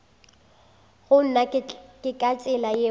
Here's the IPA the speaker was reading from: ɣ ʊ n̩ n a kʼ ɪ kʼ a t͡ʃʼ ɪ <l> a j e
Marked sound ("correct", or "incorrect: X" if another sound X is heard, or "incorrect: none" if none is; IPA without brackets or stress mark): correct